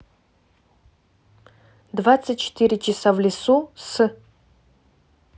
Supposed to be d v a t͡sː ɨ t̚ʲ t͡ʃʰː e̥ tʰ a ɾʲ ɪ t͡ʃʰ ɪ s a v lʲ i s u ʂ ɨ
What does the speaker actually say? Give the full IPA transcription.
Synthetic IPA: d v a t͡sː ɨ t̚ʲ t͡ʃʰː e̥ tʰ i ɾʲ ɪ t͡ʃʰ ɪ s a v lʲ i s u s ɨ

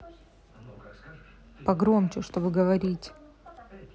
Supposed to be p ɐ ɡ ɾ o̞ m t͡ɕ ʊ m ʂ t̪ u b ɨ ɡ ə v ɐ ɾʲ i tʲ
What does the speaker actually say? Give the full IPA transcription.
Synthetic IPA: p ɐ ɡ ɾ o̞ m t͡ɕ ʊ ʂ t̪ o b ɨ ɡ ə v ɐ ɾʲ i tʲ

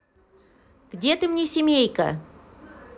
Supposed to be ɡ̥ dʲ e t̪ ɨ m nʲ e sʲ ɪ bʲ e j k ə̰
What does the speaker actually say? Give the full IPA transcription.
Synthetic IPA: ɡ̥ dʲ e t̪ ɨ m nʲ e sʲ ɪ mʲ e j k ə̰

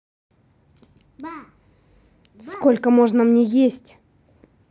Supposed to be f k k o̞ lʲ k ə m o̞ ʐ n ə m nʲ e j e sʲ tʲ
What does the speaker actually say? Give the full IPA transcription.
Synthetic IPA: s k k o̞ lʲ k ə m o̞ ʐ n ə m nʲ e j e sʲ tʲ

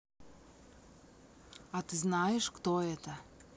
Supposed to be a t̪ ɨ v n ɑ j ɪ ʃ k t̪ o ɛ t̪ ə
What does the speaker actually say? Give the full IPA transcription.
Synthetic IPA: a t̪ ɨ z n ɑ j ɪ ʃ k t̪ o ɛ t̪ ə

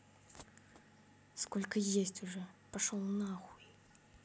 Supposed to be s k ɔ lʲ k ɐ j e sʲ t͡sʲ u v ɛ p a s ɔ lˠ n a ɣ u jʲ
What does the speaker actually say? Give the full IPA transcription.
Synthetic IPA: s k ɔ lʲ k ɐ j e sʲ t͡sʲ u ʐ ɛ p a ʂ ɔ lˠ n a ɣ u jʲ

